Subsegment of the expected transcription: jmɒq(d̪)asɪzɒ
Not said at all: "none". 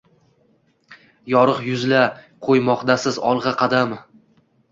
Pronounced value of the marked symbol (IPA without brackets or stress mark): d̪